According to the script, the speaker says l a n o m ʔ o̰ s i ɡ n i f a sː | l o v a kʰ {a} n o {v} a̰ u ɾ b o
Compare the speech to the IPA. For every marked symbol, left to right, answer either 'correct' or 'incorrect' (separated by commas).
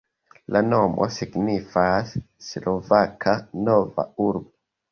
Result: correct, correct